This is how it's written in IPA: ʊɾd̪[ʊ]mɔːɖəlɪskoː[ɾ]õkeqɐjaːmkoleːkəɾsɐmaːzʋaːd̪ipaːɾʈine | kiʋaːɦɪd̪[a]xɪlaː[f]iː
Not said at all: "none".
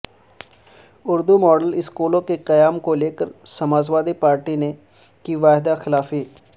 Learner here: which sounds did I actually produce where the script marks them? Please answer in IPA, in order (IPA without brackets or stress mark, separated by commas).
u, l, a, f